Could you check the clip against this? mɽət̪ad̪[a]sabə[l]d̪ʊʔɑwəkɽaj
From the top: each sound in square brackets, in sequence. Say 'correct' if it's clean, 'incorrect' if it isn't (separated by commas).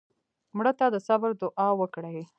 incorrect, incorrect